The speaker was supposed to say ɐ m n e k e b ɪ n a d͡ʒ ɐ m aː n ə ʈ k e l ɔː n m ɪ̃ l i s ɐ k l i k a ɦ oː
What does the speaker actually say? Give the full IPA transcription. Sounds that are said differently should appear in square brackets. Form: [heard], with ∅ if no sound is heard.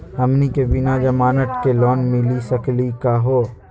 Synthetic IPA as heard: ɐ m n [i] k e b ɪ n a d͡ʒ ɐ m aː n ə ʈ k e l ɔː n m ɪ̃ l i s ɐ k l i k a ɦ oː